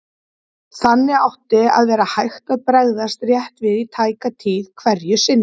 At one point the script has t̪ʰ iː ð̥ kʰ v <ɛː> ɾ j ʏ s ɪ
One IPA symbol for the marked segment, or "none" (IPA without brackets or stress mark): ɛ